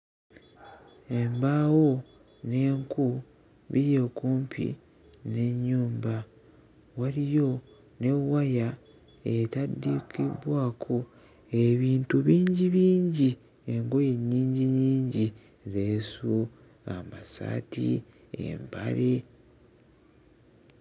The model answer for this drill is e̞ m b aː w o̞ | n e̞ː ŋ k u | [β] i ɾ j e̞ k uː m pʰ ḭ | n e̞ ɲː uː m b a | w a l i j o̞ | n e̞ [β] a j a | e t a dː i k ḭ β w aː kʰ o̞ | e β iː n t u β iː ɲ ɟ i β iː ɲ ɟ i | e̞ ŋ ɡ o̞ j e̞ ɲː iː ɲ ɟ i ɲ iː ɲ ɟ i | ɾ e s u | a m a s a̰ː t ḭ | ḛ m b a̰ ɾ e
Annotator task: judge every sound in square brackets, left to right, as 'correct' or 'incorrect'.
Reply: correct, incorrect: w

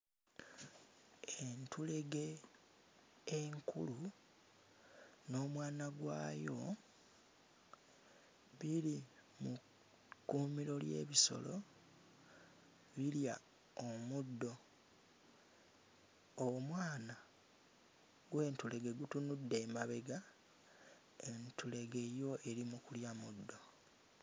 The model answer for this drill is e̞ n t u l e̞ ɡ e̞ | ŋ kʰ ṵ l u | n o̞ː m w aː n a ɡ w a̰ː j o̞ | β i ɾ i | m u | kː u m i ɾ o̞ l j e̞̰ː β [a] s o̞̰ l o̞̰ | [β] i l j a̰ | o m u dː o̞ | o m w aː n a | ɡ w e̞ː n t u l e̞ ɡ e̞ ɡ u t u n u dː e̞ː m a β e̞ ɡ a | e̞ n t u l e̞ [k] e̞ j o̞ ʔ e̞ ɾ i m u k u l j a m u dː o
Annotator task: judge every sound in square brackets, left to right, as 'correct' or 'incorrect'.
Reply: incorrect: i, correct, incorrect: ɡ

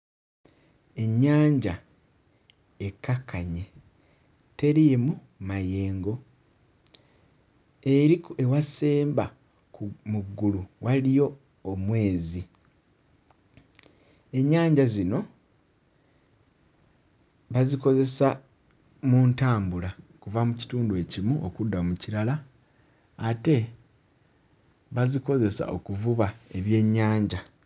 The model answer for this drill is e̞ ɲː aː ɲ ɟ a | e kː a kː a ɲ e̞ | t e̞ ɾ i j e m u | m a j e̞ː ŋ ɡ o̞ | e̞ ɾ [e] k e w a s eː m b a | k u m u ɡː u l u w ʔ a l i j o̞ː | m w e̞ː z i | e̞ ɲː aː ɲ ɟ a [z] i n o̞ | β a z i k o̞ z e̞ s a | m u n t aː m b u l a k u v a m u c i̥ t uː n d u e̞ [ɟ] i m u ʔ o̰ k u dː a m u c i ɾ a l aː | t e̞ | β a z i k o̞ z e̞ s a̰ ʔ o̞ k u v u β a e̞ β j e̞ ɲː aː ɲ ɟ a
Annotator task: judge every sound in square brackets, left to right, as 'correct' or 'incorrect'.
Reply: incorrect: i, correct, incorrect: c

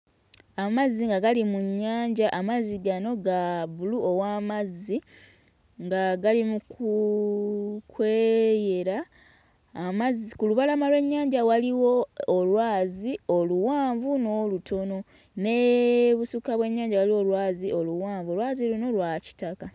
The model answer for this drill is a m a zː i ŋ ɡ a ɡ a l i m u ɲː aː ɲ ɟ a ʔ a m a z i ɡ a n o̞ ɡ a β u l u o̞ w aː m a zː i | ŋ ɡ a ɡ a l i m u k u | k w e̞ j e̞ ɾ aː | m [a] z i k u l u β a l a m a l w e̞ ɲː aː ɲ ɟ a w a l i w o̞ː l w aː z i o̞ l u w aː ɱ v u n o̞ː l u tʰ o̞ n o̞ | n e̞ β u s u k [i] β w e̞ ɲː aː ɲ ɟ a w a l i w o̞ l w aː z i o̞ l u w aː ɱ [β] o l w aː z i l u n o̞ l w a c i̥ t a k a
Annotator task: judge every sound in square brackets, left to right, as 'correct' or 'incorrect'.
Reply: correct, incorrect: a, incorrect: v

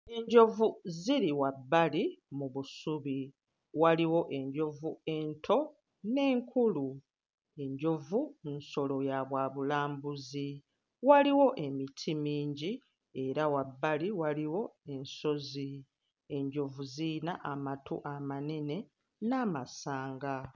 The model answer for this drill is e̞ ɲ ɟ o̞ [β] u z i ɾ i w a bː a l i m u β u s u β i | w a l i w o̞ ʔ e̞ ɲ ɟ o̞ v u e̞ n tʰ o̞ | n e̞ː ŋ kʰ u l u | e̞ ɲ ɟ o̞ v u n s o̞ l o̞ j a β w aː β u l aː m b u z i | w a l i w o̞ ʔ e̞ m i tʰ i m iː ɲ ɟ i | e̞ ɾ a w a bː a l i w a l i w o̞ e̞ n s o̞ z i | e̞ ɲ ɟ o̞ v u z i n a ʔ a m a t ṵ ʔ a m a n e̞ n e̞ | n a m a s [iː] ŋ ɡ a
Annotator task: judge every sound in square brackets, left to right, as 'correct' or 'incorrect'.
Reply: incorrect: v, incorrect: aː

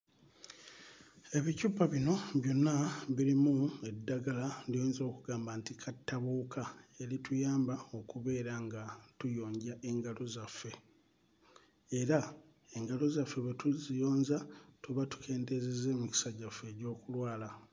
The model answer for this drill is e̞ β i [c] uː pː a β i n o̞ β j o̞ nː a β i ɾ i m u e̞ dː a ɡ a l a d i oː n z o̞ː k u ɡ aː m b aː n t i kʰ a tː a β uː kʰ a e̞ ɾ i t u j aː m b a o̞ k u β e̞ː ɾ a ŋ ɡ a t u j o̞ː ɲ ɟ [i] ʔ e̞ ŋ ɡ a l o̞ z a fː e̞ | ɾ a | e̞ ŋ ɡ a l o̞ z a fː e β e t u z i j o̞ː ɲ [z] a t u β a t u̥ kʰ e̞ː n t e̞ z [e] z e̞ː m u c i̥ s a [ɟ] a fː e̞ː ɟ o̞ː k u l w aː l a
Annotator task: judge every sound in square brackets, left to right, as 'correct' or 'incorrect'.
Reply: correct, incorrect: a, correct, correct, correct

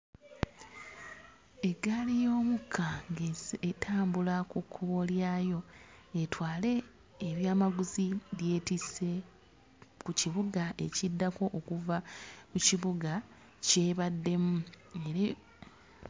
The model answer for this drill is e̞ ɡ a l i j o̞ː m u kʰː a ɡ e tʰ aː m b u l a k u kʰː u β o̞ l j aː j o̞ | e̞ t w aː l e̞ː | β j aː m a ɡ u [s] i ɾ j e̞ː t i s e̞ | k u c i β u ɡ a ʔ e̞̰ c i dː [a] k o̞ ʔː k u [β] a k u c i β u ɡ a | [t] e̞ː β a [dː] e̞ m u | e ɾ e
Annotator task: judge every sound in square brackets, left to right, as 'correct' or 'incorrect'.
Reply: incorrect: z, correct, incorrect: v, incorrect: c, correct

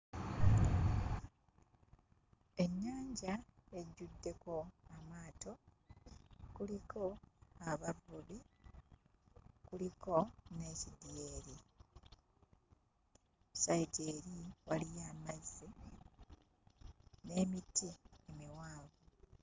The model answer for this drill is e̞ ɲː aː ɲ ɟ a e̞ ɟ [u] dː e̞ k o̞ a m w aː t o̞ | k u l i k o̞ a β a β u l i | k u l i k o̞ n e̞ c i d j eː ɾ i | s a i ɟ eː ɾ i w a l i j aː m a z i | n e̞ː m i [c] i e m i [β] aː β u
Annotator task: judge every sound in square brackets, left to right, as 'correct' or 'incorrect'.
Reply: correct, incorrect: t, incorrect: w

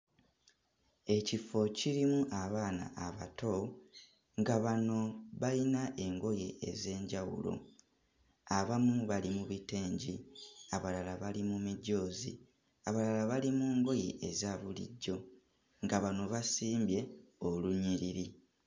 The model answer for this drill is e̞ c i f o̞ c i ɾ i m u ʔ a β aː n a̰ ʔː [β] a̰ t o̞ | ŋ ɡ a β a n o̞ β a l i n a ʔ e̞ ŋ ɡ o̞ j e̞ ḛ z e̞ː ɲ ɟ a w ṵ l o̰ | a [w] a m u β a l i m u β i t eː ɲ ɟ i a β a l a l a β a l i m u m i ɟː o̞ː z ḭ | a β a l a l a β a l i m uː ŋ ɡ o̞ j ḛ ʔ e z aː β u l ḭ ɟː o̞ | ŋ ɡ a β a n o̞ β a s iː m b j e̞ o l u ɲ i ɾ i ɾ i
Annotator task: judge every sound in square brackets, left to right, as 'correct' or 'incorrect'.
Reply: correct, incorrect: β

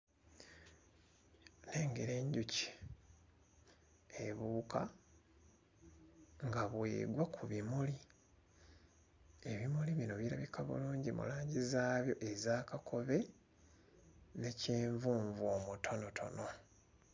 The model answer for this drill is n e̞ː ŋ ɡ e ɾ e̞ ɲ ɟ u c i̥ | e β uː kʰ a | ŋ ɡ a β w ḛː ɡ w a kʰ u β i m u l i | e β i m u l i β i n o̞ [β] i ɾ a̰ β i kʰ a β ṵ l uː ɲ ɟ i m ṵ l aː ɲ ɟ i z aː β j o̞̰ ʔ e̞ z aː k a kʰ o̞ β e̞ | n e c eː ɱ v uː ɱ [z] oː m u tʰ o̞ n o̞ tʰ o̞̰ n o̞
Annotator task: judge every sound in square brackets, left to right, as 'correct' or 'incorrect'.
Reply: correct, incorrect: v

